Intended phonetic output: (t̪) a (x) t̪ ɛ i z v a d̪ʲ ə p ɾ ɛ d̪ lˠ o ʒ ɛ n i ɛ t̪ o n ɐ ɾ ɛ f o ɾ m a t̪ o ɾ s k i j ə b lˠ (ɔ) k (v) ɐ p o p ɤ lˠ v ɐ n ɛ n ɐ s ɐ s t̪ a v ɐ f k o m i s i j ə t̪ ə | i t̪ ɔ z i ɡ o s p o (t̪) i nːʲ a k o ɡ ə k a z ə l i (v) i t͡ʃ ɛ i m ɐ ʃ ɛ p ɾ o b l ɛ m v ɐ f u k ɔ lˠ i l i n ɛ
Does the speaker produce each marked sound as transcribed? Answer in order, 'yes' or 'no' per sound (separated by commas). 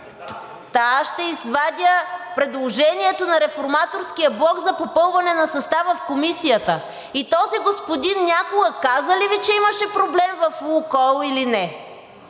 yes, no, yes, no, no, yes